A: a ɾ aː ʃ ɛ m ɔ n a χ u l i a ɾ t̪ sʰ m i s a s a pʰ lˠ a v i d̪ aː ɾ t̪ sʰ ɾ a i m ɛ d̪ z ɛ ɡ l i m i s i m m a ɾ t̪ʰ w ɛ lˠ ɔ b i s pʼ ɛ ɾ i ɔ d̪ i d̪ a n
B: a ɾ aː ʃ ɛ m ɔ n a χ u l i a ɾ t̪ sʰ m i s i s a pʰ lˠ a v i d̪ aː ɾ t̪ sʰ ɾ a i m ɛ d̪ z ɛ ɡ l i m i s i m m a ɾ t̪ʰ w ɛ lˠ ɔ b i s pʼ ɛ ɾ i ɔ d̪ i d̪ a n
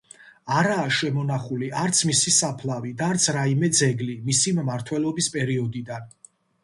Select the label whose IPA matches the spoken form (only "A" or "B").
B